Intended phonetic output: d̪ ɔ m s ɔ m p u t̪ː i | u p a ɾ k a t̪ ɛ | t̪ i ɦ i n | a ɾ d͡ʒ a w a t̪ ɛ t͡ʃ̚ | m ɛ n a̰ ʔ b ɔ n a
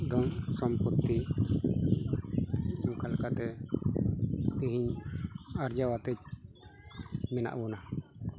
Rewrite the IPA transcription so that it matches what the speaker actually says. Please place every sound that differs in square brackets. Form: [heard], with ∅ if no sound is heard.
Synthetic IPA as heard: d̪ ɔ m s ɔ m p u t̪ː i | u [k] a [l] k a t̪ ɛ | t̪ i ɦ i [ɲ] | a ɾ d͡ʒ a w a t̪ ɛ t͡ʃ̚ | m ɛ n a̰ ʔ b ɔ n a